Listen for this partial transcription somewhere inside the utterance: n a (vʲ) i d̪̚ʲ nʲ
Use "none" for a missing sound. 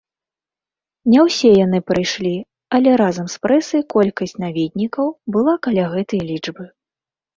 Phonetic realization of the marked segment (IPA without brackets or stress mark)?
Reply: vʲ